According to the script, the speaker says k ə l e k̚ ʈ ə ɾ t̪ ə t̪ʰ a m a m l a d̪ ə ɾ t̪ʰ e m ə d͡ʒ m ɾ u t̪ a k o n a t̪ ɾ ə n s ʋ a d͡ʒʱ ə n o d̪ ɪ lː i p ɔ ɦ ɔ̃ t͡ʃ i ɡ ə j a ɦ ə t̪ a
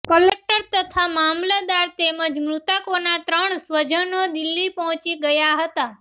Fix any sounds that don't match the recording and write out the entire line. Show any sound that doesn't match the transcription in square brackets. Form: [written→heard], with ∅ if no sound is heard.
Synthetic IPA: k ə l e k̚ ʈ ə ɾ t̪ ə t̪ʰ a m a m l a d̪ [ə→a] ɾ [t̪ʰ→t̪] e m ə d͡ʒ m ɾ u t̪ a k o n a t̪ ɾ ə [n→ɳ] s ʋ [a→ə] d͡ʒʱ ə n o d̪ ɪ lː i p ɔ ɦ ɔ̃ t͡ʃ i ɡ ə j a ɦ ə t̪ a